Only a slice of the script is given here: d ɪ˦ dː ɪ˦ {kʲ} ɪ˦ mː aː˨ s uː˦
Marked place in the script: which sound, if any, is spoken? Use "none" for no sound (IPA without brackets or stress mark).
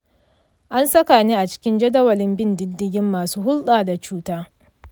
ɡʲ